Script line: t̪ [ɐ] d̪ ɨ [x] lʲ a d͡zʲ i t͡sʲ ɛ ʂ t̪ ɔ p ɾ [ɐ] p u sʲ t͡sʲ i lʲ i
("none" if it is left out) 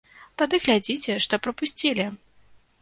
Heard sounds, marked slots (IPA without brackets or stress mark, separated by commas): a, ɣ, ɐ